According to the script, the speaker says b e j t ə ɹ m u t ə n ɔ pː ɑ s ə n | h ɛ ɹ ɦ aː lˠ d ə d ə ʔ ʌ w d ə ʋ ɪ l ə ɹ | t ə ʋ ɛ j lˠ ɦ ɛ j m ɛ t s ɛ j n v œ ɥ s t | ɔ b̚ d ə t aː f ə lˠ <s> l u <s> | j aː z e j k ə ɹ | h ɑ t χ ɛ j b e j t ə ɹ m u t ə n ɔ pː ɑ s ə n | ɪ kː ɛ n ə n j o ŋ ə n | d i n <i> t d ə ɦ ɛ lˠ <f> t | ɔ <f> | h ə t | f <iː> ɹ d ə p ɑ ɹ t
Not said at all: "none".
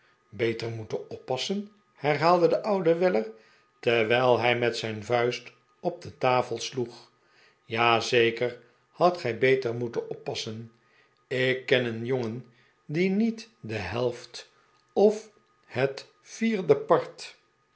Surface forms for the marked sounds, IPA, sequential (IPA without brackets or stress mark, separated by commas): s, χ, i, f, f, iː